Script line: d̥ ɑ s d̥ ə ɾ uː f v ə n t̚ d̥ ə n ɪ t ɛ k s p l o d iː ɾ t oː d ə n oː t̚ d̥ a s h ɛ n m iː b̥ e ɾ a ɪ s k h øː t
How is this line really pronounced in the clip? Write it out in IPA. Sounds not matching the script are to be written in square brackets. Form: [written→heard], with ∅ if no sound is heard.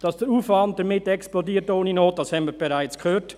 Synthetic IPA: d̥ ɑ s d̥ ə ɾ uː f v [ə→ɑ] n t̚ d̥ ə [n→m] ɪ t ɛ k s p l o d iː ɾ t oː [d→n] ə n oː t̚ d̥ [a→ɑ] s h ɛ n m iː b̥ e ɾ a ɪ [s→t͡s] k h øː t